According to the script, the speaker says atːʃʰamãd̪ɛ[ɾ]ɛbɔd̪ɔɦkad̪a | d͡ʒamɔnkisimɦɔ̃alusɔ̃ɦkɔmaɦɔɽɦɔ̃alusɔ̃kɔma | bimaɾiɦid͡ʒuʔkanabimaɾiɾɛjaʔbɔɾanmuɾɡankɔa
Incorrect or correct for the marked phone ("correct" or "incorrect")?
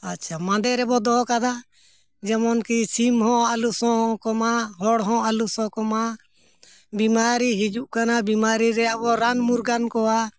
correct